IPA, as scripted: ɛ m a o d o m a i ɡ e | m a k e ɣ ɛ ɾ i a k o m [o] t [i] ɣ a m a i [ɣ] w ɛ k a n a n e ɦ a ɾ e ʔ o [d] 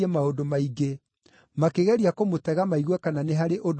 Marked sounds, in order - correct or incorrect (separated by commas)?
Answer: correct, incorrect, correct, correct